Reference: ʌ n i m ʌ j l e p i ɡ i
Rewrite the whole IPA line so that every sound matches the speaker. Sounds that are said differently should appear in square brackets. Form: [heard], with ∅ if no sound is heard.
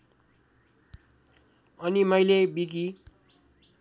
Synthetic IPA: ʌ n i m ʌ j l e [b] i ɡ i